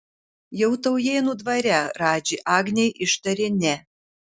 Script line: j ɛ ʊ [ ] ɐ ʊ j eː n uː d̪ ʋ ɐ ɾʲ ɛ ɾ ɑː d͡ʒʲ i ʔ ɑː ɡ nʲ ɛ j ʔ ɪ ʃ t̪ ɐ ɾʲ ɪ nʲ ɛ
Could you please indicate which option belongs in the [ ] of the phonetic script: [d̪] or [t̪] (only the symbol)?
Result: t̪